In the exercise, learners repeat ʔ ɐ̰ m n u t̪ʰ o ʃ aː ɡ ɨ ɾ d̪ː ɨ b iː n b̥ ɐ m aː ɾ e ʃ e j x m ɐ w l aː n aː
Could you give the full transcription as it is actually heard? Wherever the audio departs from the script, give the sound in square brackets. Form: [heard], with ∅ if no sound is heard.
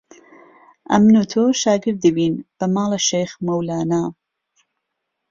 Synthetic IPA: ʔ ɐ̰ m n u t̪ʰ o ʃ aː ɡ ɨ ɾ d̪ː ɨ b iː n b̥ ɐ m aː [l] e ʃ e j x m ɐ w l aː n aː

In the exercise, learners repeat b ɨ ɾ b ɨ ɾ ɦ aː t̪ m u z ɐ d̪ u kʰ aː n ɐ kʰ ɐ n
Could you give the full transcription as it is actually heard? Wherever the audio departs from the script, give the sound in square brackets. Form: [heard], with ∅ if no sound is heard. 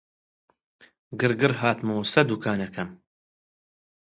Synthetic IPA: [ɡ] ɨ ɾ [ɡ] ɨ ɾ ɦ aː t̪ m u [s] ɐ d̪ u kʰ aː n ɐ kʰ ɐ [m]

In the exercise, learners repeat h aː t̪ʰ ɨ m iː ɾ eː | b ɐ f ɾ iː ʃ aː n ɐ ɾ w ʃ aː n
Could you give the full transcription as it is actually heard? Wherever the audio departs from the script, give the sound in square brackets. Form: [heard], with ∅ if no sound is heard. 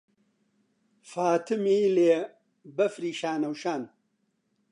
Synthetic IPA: [f] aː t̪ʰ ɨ m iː [l] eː | b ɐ f ɾ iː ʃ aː n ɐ [∅] w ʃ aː n

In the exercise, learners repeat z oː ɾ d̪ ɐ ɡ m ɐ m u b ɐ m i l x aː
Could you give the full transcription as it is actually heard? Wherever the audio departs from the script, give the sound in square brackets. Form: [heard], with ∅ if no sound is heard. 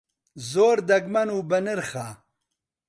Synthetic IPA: z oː ɾ d̪ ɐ ɡ m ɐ [n] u b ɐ [n] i [ɾ] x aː

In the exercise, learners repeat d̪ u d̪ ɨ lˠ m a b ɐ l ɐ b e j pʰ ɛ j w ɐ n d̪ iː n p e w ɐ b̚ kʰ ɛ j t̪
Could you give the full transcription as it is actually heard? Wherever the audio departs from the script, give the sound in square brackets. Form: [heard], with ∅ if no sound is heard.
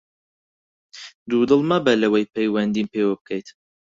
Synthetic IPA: d̪ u d̪ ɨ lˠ m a b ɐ l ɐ [w] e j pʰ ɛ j w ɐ n d̪ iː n p e w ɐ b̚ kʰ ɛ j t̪

